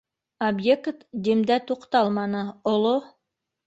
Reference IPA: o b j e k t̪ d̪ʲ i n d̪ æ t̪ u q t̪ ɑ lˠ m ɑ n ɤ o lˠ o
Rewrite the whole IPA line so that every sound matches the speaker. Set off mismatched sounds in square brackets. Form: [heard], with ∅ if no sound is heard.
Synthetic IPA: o b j e k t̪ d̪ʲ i [m] d̪ æ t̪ u q t̪ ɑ lˠ m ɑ n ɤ o lˠ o